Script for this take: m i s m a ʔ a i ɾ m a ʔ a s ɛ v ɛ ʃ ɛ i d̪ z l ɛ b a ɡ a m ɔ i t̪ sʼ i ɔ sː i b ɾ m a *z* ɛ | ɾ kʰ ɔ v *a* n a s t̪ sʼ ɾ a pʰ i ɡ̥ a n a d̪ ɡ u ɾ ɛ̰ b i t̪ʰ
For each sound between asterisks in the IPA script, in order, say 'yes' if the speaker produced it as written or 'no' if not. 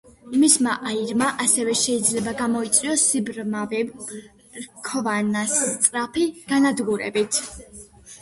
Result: no, yes

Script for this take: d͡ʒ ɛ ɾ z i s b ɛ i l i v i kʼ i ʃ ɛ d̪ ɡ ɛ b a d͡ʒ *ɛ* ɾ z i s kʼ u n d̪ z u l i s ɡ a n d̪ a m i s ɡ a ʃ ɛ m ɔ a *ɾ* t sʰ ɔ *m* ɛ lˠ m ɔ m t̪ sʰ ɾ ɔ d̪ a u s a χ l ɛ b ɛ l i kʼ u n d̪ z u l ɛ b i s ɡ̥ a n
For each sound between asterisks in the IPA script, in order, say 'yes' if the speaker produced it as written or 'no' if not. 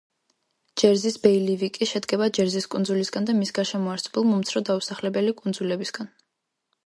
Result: yes, yes, no

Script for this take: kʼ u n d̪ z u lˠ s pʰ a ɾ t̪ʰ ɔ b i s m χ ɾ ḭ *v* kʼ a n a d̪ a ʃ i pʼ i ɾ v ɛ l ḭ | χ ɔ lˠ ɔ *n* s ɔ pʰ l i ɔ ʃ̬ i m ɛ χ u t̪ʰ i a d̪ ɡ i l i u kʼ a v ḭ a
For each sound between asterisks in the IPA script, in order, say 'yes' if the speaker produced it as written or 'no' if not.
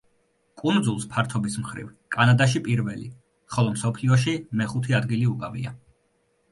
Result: yes, no

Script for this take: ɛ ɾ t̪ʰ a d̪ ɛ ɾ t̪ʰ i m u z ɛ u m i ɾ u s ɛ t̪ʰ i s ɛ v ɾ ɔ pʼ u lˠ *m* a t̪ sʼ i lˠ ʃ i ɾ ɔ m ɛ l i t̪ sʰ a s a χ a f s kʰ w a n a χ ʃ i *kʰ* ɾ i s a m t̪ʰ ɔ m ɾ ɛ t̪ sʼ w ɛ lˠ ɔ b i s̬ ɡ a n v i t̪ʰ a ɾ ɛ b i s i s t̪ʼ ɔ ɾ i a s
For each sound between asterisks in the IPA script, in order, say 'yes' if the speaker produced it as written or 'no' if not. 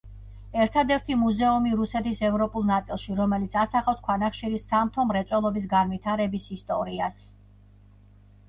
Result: no, no

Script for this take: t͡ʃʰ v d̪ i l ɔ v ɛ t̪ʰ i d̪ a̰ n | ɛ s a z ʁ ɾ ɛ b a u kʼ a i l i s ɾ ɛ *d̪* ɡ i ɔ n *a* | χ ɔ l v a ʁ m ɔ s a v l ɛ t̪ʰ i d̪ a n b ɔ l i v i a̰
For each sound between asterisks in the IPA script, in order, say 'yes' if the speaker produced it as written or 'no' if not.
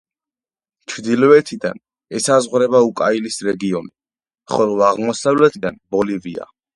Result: no, no

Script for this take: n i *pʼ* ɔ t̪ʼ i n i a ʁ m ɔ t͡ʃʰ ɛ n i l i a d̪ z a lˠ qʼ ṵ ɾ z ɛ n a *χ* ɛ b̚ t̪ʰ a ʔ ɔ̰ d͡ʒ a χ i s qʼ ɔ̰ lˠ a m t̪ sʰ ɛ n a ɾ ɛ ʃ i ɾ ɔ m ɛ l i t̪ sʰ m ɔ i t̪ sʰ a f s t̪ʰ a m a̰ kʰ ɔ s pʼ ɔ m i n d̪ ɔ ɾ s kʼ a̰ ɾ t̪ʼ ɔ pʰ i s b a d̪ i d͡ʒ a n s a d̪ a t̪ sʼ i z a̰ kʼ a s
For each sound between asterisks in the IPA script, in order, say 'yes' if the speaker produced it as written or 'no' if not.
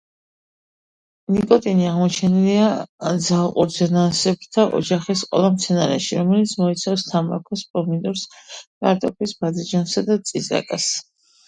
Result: no, no

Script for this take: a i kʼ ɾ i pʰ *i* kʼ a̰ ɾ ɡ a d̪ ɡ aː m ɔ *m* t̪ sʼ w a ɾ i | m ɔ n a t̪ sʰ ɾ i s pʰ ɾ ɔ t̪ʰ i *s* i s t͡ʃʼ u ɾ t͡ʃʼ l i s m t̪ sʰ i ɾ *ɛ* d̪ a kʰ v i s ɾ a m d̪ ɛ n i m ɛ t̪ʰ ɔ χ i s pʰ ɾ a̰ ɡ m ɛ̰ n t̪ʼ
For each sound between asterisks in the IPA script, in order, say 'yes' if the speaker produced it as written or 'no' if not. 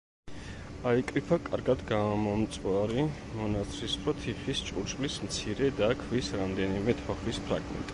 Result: no, yes, no, yes

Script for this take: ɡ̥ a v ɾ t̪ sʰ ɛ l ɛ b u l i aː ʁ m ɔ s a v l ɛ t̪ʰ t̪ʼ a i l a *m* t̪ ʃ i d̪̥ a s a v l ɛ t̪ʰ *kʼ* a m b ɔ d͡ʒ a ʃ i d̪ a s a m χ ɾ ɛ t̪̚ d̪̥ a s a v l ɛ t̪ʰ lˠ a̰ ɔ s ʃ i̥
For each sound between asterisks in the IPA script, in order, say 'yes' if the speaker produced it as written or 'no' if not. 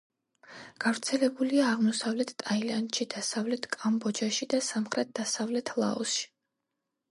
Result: no, yes

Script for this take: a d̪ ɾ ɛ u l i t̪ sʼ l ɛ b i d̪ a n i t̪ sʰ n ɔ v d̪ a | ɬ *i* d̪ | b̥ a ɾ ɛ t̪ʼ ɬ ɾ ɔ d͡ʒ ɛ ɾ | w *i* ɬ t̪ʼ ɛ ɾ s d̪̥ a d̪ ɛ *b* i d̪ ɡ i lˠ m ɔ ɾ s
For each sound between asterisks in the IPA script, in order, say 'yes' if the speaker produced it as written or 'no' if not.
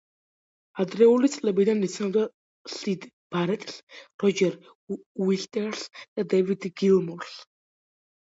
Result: yes, yes, no

